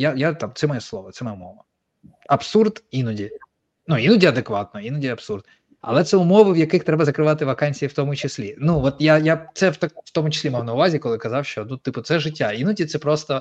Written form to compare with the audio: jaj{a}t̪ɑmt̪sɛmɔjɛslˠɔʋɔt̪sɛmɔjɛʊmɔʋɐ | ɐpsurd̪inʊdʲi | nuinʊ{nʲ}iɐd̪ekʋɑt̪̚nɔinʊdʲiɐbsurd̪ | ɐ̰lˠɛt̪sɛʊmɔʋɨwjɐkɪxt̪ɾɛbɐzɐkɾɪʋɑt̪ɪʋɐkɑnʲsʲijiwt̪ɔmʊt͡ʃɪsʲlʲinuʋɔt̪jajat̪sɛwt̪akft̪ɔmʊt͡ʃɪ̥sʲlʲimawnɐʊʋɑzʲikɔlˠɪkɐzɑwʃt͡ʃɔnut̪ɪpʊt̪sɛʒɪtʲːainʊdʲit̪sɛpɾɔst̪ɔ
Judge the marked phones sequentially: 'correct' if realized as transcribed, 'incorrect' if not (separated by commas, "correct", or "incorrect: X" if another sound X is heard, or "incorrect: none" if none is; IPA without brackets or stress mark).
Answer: correct, incorrect: dʲ